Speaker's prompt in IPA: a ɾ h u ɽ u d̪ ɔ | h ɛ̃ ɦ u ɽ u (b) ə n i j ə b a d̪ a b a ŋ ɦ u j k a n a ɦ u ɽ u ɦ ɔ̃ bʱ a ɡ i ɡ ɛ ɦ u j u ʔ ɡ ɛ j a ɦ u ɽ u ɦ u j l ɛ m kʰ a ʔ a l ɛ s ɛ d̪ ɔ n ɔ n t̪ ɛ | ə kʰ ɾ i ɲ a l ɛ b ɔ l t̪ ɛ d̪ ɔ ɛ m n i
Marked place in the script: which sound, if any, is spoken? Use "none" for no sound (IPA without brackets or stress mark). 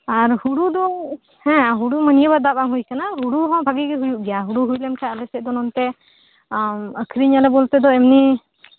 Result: m